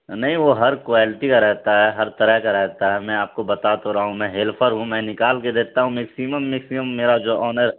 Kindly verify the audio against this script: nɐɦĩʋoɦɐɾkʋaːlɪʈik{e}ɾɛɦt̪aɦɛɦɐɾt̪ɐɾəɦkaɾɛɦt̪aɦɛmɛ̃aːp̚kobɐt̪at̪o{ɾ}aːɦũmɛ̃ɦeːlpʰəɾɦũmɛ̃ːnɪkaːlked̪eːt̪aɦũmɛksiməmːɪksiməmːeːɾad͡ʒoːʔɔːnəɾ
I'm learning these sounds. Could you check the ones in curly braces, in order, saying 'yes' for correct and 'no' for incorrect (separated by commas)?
no, yes